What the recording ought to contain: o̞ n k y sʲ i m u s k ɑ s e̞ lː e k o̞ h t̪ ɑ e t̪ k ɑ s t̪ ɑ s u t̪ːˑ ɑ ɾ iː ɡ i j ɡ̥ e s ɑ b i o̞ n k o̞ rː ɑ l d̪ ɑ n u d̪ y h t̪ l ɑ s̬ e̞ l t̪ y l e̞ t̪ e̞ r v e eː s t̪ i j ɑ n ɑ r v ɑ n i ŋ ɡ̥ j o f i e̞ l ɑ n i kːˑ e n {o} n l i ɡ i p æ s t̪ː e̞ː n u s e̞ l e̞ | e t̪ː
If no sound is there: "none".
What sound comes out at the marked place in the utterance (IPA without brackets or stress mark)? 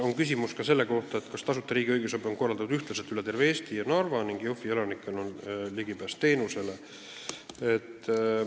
o